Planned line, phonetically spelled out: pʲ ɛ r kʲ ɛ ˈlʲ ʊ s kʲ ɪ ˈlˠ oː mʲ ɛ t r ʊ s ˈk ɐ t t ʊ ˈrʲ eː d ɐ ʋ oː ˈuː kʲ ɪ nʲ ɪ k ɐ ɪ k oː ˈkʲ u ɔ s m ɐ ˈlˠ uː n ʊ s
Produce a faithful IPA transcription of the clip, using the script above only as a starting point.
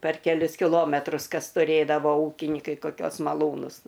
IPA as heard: pʲ ɛ r kʲ ɛ ˈlʲ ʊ s kʲ ɪ ˈlˠ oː mʲ ɛ t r ʊ s ˈk ɐ s t ʊ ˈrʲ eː d ɐ ʋ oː ˈuː kʲ ɪ nʲ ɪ k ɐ ɪ k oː ˈkʲ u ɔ s m ɐ ˈlˠ uː n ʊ s